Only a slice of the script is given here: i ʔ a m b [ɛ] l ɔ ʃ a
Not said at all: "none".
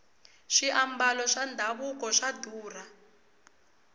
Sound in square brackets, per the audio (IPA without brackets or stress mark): a